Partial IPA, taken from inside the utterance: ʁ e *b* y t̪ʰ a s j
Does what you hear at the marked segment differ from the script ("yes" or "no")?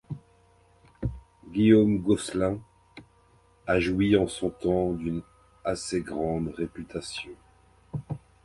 yes